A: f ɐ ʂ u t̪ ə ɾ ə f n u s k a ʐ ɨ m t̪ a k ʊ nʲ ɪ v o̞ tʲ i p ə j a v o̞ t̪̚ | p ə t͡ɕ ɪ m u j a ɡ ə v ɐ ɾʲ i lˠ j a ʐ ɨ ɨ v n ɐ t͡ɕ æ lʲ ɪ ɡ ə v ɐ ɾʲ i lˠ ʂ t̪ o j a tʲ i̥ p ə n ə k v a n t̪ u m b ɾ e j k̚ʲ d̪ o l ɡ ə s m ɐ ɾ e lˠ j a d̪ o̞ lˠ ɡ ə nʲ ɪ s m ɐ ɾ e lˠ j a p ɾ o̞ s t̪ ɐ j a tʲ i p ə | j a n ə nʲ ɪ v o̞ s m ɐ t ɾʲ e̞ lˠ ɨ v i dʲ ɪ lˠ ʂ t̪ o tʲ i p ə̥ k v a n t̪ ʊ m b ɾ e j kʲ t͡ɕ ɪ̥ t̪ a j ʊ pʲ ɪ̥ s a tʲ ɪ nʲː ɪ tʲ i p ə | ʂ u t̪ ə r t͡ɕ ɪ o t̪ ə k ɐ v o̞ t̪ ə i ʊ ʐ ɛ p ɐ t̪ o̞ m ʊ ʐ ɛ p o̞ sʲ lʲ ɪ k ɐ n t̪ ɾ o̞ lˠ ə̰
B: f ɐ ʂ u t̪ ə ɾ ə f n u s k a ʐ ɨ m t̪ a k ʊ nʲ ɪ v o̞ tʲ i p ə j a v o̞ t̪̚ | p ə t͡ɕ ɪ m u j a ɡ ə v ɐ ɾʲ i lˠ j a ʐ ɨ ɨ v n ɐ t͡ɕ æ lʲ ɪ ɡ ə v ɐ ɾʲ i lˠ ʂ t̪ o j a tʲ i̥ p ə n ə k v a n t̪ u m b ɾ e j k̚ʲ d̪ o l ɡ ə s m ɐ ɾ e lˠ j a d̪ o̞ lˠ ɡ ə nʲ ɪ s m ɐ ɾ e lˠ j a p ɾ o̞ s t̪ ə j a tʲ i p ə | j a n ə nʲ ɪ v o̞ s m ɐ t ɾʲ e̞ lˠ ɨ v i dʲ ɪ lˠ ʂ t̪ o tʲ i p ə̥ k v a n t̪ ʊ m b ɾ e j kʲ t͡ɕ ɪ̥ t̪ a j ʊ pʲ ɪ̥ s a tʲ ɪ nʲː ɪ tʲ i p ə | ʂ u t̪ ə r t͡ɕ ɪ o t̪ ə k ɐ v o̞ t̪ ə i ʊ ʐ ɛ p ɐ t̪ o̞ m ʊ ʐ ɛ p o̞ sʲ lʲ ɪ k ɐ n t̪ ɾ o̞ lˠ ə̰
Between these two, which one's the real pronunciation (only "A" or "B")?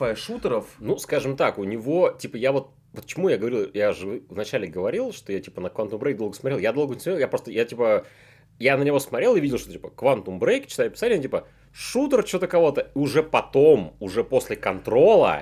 B